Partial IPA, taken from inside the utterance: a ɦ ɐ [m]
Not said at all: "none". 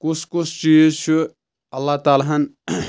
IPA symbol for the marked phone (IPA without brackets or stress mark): n